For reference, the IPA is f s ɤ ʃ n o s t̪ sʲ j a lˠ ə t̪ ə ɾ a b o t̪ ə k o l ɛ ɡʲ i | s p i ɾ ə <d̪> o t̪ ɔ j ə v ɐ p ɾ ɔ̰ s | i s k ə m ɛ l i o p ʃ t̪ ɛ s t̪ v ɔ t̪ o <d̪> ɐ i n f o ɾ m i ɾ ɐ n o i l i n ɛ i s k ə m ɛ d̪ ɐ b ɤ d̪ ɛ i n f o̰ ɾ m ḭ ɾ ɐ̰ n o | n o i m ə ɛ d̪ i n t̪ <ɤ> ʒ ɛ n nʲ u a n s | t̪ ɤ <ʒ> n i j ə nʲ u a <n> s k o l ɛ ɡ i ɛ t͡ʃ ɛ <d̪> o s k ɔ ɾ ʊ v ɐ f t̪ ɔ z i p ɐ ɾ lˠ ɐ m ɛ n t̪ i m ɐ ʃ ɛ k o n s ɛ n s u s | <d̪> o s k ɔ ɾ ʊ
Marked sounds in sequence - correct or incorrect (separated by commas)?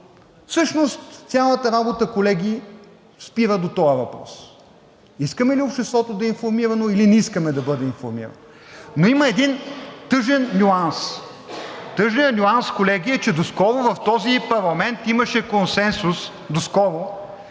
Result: correct, correct, correct, correct, correct, correct, correct